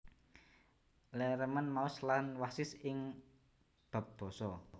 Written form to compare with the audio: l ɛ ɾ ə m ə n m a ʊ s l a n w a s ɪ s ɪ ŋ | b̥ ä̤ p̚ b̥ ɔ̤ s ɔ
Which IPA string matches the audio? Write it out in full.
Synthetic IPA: l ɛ ɾ ə m ə n m a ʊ s l a n w a s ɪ s ɪ ŋ | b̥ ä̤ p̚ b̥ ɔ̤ s ɔ